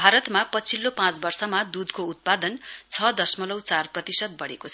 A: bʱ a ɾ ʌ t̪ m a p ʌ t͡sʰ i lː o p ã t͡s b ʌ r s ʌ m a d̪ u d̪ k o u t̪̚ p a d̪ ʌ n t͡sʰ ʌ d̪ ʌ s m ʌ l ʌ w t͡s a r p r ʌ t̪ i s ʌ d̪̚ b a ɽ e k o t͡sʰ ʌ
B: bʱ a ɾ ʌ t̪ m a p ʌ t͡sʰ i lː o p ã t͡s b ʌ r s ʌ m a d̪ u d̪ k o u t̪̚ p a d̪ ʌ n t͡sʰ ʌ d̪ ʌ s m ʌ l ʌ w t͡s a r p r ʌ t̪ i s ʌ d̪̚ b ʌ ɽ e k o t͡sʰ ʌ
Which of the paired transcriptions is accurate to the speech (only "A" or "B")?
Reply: B